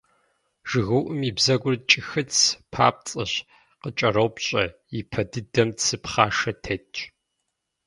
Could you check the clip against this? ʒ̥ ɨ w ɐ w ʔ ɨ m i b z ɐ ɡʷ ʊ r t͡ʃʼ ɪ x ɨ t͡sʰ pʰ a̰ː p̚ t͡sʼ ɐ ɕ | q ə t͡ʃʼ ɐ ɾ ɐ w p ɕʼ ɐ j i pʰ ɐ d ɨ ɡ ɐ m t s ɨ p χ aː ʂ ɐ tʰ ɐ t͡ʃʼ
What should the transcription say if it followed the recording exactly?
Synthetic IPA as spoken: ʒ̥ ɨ ɣ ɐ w ʔ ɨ m i b z ɐ ɡʷ ʊ r t͡ʃʼ ɪ x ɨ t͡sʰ pʰ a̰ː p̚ t͡sʼ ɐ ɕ | q ə t͡ʃʼ ɐ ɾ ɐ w p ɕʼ ɐ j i pʰ ɐ d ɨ d ɐ m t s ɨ p χ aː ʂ ɐ tʰ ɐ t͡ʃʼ